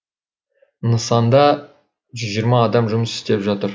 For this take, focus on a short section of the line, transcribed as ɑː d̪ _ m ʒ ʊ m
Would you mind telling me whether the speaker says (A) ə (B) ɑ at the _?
B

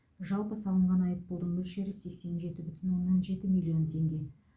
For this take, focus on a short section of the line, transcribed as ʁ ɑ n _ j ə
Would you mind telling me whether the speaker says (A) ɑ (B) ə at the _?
A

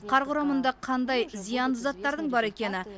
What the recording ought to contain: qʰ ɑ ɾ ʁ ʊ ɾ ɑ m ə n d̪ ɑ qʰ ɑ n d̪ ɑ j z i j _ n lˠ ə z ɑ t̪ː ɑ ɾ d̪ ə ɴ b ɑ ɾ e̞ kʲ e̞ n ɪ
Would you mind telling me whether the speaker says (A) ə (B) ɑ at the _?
B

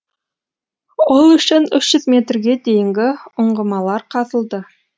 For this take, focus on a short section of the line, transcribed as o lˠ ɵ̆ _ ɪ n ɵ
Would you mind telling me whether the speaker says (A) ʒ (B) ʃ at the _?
B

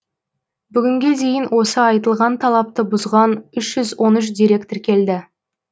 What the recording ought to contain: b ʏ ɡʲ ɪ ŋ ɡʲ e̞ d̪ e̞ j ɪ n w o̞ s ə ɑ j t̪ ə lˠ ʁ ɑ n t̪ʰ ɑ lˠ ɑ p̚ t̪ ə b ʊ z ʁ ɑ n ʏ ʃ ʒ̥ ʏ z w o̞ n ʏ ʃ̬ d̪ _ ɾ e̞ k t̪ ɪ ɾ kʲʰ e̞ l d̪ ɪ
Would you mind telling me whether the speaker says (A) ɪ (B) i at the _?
B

